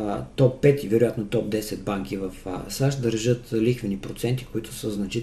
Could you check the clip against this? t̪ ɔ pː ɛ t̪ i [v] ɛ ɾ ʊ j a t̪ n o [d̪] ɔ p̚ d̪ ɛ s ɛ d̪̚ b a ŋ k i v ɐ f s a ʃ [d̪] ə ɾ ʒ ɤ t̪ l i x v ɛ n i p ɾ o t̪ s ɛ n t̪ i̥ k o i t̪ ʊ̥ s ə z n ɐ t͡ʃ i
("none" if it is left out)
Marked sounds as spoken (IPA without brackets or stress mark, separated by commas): v, t̪, d̪